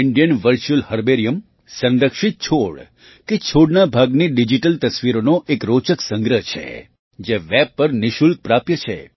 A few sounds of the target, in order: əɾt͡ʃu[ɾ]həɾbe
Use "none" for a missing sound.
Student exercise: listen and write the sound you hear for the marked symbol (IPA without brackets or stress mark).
l